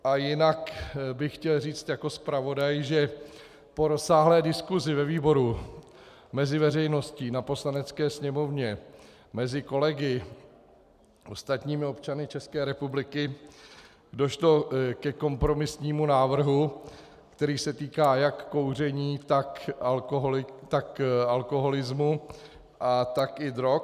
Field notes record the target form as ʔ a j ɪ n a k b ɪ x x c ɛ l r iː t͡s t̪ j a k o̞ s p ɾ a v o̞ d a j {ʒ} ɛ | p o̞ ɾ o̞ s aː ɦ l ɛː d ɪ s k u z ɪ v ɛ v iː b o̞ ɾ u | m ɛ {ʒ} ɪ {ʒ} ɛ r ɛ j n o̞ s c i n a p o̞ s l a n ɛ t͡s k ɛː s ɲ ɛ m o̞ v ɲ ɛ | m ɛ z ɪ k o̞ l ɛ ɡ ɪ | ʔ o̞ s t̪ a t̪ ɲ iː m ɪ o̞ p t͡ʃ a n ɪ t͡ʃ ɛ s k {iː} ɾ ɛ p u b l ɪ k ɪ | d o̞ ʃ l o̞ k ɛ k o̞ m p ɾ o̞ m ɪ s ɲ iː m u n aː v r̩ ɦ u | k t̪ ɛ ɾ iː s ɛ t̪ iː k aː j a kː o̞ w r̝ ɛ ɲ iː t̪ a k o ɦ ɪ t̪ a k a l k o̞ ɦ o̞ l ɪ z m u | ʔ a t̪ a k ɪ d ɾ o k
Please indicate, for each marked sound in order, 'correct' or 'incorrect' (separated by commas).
correct, incorrect, incorrect, incorrect